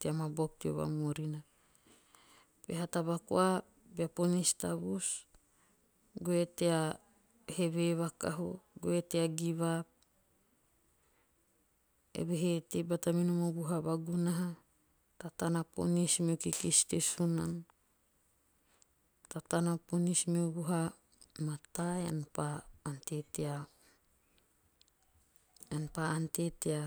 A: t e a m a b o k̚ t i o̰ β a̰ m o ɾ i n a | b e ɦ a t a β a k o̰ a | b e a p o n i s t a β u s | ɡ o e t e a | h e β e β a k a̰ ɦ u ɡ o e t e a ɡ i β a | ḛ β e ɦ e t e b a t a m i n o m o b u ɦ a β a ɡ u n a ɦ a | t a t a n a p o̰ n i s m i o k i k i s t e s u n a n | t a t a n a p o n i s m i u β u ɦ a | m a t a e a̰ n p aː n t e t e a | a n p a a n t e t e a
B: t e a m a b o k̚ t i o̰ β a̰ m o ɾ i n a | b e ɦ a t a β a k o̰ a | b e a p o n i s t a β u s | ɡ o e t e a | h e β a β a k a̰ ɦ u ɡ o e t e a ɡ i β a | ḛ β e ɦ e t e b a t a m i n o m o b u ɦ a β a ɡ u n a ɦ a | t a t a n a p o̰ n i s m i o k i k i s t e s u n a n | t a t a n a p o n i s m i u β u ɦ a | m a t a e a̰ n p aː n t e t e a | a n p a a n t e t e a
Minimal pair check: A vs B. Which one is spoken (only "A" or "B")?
A